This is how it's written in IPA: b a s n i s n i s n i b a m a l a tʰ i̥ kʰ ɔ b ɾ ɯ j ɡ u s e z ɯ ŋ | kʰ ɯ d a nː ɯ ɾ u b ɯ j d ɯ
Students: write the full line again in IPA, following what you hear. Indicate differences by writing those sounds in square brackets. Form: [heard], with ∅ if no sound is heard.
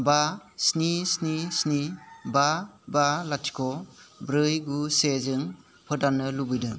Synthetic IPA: b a s n i s n i s n i b a [b] a l a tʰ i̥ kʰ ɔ b ɾ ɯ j ɡ u s e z ɯ ŋ | [pʰ] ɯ d a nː ɯ [l] u b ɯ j d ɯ